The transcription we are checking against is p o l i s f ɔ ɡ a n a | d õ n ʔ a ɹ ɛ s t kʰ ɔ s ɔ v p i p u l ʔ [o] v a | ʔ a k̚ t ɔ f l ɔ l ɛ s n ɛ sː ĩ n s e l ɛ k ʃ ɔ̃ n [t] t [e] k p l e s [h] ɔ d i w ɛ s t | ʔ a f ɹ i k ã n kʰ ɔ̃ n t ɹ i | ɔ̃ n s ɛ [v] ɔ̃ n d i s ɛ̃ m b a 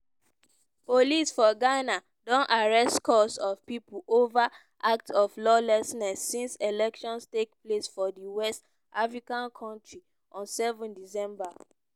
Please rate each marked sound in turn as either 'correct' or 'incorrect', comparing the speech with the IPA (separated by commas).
correct, incorrect, correct, incorrect, correct